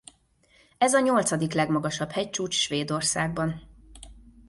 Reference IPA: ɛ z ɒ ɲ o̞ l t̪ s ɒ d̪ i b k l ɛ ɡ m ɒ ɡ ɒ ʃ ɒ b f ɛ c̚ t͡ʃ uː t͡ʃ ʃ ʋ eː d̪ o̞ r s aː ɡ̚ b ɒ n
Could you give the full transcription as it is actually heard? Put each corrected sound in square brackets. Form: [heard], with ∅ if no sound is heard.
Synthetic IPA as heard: ɛ z ɒ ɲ o̞ l t̪ s ɒ d̪ i [∅] k l ɛ ɡ m ɒ ɡ ɒ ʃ ɒ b [h] ɛ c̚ t͡ʃ uː t͡ʃ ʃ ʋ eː d̪ o̞ r s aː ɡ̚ b ɒ n

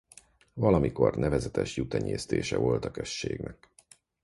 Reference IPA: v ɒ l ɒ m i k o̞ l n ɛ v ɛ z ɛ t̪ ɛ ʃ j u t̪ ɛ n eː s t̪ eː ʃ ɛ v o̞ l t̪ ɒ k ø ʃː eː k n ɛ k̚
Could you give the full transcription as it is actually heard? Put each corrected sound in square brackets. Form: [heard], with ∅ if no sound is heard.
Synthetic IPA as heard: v ɒ l ɒ m i k o̞ [r] n ɛ v ɛ z ɛ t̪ ɛ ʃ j u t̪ ɛ [ɲ] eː s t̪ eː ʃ ɛ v o̞ l t̪ ɒ k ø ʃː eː [ɡ] n ɛ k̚

